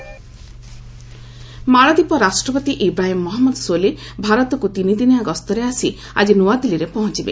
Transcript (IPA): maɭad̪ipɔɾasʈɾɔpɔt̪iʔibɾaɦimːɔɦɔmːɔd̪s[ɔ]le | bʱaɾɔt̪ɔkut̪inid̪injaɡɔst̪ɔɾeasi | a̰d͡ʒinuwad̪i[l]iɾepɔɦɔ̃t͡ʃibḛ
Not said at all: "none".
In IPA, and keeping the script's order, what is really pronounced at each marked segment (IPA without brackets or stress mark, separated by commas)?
o, l